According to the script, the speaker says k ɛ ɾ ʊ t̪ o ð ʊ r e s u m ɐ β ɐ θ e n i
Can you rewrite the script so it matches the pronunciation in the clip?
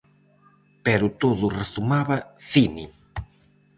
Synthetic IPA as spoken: p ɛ ɾ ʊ t̪ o ð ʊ r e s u m a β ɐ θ i n i